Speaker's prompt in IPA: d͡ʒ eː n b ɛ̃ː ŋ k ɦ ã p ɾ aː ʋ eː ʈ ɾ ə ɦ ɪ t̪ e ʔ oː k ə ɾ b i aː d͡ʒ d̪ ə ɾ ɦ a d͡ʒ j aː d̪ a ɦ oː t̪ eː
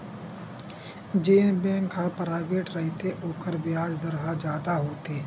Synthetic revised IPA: d͡ʒ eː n b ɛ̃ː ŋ k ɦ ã p ɾ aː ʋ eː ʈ ɾ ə ɦ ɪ t̪ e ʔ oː k ə ɾ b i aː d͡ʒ d̪ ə ɾ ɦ a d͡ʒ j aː d̪ a ɦ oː t̪ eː